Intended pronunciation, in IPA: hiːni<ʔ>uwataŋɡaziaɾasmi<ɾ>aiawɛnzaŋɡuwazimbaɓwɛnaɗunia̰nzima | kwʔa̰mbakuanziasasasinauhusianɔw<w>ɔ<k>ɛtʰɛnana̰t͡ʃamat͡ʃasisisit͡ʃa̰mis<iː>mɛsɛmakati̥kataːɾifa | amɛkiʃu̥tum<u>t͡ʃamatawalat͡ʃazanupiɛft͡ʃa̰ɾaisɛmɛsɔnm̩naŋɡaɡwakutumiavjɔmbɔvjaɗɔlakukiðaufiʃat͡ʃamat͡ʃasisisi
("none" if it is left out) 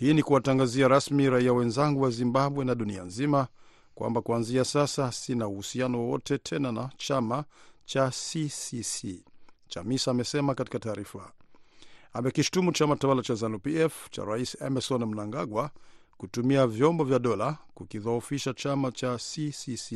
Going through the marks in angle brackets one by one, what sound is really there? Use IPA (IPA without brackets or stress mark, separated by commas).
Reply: k, ɾ, w, t, aː, u